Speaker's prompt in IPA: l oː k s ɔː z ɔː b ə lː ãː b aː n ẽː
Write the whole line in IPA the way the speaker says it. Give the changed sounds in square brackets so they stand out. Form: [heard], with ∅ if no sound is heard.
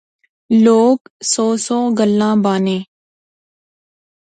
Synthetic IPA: l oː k s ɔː [s] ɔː [ɡ] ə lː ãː b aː n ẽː

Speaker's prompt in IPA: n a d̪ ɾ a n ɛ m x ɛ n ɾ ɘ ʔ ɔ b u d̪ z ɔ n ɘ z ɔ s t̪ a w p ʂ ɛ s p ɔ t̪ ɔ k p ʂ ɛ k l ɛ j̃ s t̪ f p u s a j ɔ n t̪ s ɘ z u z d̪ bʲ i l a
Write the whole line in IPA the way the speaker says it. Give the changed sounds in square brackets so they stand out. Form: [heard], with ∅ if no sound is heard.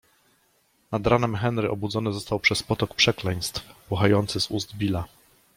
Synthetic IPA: n a d̪ ɾ a n ɛ m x ɛ n ɾ ɘ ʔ ɔ b u d̪ z ɔ n ɘ z ɔ s t̪ a w p ʂ ɛ s p ɔ t̪ ɔ k p ʂ ɛ k l ɛ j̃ s t̪ f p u [x] a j ɔ n t̪ s ɘ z u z d̪ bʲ i l a

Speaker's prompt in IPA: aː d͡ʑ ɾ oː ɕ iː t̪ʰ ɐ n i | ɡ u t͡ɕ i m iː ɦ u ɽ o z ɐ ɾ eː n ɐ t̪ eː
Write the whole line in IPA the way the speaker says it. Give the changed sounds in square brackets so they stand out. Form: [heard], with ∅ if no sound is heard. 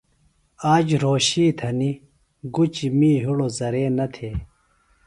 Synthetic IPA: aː d͡ʑ ɾ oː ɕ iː t̪ʰ ɐ n i | ɡ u t͡ɕ i m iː ɦ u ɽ o z ɐ ɾ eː n ɐ [t̪ʰ] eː

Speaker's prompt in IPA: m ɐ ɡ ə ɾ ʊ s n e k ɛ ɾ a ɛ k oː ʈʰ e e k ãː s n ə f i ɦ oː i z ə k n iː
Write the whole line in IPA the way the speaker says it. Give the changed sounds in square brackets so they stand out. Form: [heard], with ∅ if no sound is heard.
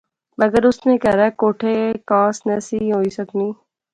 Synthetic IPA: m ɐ ɡ ə ɾ ʊ s n e k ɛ ɾ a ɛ k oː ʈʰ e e k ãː s n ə [s] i ɦ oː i [s] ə k n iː

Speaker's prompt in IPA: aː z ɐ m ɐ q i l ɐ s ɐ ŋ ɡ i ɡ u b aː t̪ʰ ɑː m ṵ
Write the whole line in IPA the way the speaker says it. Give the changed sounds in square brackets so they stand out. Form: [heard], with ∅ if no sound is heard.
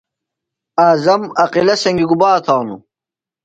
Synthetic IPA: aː z ɐ m ɐ q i l ɐ s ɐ ŋ ɡ i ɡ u b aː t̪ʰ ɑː [n] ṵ

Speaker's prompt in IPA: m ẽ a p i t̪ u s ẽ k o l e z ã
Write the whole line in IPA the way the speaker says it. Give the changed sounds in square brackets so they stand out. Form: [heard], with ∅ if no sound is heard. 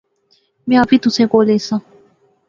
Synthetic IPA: m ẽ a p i t̪ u s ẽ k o l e [s] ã

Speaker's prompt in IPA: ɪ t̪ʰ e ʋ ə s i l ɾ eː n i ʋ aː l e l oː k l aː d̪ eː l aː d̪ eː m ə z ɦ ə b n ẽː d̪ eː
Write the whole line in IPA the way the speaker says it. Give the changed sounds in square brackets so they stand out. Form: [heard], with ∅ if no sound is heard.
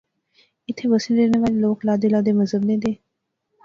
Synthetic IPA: ɪ t̪ʰ e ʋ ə s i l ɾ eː n [e] ʋ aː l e l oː k l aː d̪ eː l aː d̪ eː m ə z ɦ ə b n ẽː d̪ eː

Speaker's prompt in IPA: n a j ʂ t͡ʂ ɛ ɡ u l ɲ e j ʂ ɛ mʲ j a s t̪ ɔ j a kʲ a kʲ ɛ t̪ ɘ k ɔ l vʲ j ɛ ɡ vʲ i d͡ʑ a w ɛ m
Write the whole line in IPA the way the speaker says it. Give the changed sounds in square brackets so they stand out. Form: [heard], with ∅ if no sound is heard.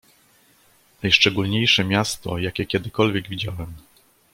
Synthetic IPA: n a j ʂ t͡ʂ ɛ ɡ u l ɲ e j ʂ ɛ mʲ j a s t̪ ɔ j a kʲ [ɛ] kʲ ɛ [d̪] ɘ k ɔ l vʲ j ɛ ɡ vʲ i d͡ʑ a w ɛ m

